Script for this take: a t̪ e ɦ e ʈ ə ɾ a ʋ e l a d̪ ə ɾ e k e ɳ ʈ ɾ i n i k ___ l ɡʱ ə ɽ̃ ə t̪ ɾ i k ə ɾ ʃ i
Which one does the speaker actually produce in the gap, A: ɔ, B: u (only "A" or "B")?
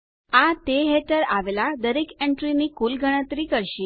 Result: B